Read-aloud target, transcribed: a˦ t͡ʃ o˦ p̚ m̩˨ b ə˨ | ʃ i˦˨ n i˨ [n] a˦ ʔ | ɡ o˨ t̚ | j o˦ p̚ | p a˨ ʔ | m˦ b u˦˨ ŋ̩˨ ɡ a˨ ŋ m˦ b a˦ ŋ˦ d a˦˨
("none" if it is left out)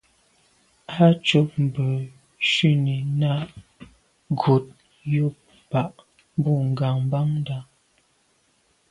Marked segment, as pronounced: n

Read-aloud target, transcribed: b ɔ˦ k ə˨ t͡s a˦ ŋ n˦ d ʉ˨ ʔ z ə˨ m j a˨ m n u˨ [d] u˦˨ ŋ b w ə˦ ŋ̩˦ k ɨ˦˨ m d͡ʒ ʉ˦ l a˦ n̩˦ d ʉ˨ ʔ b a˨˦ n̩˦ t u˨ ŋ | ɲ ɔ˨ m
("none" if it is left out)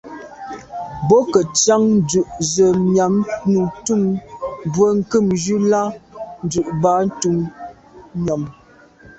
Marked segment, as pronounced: t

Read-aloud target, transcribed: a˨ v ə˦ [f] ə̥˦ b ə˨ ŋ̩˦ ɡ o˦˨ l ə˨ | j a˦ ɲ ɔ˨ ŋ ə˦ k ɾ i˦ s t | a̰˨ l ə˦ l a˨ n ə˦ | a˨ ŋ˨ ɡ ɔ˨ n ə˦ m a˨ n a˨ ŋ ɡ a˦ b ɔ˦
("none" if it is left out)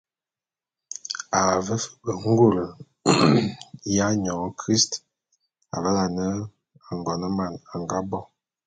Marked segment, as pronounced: f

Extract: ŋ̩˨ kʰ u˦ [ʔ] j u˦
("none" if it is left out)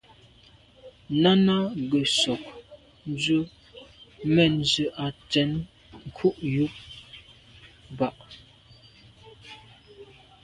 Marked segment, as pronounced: ʔ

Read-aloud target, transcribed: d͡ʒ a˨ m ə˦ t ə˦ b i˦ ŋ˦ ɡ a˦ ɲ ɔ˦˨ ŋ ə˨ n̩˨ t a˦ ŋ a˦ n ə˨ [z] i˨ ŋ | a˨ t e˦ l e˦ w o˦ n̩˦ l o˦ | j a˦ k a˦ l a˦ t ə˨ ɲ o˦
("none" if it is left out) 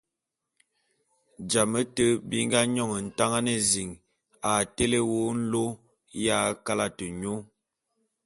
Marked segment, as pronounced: z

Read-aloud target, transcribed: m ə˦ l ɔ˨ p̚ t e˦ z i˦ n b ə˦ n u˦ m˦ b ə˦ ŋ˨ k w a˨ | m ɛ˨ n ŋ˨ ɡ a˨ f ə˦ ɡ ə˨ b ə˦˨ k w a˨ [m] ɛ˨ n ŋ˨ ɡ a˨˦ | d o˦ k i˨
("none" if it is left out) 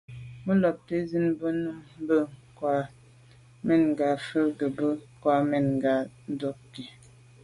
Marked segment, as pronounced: m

